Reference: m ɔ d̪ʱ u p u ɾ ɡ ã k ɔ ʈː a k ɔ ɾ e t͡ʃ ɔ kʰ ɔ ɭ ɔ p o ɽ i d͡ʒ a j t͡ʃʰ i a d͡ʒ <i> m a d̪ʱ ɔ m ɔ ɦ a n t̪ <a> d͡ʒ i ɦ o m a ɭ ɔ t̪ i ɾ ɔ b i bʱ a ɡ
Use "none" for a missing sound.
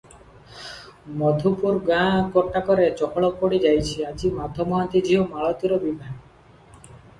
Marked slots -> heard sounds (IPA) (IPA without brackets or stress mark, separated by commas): i, i